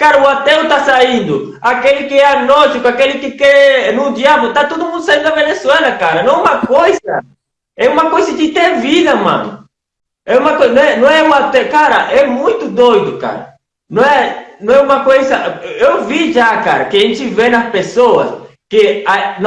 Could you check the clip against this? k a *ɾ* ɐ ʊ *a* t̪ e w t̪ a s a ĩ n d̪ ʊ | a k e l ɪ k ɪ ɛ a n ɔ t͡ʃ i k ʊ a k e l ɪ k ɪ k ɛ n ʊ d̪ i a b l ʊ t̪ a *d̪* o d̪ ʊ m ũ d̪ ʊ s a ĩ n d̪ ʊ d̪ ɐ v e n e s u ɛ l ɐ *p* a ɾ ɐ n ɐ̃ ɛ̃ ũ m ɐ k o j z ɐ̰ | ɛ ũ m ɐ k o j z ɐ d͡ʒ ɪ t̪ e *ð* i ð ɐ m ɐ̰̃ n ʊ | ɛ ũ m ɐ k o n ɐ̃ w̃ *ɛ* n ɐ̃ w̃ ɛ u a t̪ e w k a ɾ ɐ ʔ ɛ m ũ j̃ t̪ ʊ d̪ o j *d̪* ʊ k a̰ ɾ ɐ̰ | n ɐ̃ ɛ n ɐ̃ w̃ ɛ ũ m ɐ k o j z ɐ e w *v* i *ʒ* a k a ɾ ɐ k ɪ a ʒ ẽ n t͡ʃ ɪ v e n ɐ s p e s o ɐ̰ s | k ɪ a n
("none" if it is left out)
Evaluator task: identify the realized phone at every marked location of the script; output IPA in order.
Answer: ɾ, a, t̪, k, v, ɛ, d̪, v, ʒ

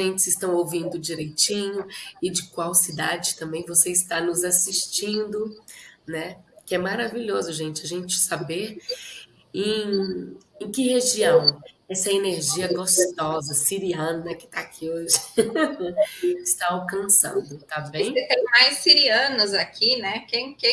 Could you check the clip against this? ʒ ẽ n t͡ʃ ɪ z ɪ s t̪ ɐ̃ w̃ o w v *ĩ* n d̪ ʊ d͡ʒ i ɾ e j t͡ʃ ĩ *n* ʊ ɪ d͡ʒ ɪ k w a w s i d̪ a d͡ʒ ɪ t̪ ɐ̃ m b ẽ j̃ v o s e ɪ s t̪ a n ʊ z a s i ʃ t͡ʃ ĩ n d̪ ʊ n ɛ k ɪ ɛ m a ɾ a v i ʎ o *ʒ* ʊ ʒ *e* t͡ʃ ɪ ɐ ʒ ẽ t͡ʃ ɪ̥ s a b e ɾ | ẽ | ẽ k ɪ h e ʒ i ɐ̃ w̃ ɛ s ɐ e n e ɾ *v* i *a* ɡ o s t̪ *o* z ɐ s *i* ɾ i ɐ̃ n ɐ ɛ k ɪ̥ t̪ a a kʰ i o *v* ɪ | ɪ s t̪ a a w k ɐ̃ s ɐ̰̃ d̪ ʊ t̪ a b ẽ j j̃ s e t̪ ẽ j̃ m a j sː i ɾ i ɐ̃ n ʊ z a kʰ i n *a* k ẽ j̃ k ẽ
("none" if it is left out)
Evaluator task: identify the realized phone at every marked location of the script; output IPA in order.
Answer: ĩ, ɲ, z, ẽ, ʒ, ɐ, ɔ, i, ʒ, ɛ

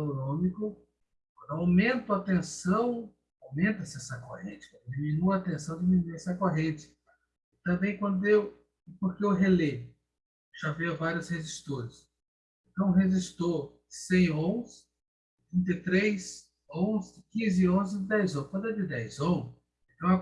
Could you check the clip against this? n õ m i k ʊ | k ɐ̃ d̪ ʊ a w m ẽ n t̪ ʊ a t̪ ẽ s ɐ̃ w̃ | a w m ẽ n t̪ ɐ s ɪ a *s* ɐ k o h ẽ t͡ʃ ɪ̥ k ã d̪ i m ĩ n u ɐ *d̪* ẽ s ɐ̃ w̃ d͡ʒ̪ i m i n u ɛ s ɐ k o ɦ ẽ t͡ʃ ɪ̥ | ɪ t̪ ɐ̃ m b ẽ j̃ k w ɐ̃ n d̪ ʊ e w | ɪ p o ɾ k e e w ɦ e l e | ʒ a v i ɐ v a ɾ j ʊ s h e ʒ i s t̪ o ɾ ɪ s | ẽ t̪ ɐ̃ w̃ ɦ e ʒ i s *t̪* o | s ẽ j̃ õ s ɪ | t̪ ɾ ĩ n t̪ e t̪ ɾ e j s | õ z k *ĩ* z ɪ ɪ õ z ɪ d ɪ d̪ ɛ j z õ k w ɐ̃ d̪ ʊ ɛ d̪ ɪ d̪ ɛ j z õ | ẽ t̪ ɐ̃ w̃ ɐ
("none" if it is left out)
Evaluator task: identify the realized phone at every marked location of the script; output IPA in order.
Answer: s, t̪, t̪, ĩ

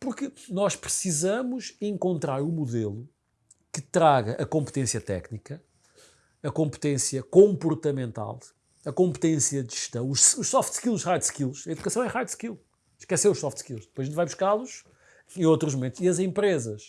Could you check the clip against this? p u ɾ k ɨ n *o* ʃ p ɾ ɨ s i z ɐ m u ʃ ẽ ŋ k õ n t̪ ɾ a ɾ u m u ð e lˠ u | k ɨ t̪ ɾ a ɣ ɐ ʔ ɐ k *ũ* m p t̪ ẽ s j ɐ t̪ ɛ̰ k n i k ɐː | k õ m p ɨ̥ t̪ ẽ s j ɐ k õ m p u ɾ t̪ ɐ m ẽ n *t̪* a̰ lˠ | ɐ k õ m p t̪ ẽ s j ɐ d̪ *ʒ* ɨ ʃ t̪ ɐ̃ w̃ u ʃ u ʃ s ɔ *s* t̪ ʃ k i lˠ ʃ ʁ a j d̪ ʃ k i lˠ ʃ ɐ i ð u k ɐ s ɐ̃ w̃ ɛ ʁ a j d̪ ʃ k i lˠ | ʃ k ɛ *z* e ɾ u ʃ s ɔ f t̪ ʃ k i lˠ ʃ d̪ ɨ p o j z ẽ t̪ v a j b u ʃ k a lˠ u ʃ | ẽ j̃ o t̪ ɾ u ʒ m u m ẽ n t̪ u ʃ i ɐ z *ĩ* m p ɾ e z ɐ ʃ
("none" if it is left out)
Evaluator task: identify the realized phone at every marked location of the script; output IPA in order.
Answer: ɔ, õ, t̪, ʒ, f, s, ẽ

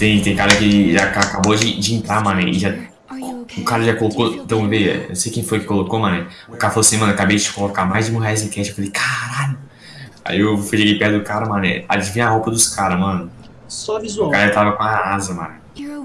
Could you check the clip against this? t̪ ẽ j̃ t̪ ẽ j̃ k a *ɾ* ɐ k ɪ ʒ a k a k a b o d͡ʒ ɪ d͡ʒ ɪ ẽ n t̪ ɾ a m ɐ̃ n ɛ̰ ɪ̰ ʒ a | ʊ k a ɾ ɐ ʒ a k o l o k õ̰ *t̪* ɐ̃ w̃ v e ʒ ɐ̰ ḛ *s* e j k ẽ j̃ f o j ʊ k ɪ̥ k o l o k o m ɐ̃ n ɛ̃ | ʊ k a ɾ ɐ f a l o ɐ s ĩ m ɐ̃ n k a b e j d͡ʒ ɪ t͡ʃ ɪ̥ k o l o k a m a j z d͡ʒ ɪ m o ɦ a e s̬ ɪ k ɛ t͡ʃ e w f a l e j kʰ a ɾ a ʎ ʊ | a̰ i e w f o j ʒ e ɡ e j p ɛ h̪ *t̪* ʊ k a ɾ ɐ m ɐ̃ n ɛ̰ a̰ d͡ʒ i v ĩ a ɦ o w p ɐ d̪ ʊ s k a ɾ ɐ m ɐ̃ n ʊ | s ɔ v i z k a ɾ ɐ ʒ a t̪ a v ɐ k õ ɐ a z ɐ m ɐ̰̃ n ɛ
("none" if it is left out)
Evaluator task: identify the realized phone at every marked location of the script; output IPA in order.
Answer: ɾ, t̪, s, d̪

